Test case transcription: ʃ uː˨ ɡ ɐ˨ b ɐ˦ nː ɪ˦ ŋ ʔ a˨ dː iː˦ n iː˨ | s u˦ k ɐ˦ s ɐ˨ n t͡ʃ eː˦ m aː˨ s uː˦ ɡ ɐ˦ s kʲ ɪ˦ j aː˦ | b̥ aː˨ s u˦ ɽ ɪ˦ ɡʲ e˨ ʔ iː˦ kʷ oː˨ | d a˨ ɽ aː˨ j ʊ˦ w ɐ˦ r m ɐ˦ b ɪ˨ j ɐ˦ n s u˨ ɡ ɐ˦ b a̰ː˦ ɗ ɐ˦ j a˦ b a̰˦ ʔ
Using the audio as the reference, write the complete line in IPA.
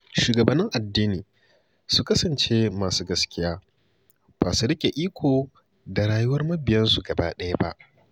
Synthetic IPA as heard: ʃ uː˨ ɡ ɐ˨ b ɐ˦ nː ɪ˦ ŋ ʔ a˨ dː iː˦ n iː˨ | s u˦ k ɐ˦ s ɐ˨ n t͡ʃ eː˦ m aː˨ s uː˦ ɡ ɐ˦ s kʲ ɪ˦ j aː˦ | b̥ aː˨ s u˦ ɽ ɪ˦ kʲ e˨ ʔ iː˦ kʷ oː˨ | d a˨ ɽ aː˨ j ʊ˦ w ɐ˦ r m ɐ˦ b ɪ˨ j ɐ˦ n s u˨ ɡ ɐ˨ b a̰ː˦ ɗ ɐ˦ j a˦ b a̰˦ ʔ